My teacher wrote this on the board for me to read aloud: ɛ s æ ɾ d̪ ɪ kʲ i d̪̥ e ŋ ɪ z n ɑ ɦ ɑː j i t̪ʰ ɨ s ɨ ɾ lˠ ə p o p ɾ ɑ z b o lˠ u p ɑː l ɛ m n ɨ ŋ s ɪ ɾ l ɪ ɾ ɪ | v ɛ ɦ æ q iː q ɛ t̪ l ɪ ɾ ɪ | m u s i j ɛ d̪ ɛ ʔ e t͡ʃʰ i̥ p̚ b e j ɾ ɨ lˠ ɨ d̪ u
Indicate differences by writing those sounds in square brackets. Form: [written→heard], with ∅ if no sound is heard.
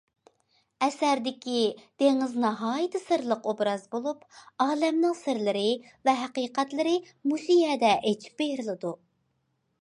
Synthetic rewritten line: ɛ s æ ɾ d̪ ɪ kʲ i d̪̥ e ŋ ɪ z n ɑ ɦ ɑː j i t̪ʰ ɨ s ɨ ɾ lˠ ə [p→q] o [p→b] ɾ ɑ z b o lˠ u p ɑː l ɛ m n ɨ ŋ s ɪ ɾ l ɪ ɾ ɪ | v ɛ ɦ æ q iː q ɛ t̪ l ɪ ɾ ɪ | m u s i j ɛ d̪ ɛ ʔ e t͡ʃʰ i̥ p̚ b e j ɾ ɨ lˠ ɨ d̪ u